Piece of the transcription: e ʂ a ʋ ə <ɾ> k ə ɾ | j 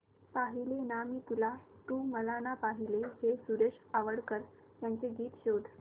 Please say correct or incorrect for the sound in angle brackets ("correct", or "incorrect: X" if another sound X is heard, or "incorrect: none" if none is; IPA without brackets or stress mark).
incorrect: ɽ